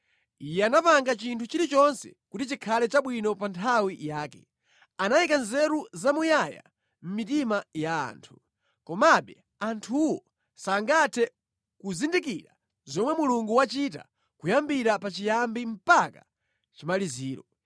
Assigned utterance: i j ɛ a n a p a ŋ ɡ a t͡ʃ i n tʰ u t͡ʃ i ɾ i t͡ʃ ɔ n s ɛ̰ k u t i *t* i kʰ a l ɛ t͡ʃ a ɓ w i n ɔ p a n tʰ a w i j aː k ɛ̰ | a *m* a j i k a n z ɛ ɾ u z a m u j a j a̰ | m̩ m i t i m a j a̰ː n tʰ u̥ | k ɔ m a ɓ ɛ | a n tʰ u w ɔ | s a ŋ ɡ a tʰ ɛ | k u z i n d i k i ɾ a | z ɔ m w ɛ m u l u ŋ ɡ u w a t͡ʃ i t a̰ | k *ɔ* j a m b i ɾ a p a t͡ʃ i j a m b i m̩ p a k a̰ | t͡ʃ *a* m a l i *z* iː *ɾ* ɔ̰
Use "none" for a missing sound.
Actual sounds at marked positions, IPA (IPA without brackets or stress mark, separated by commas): t͡ʃ, n, u, i, z, ɾ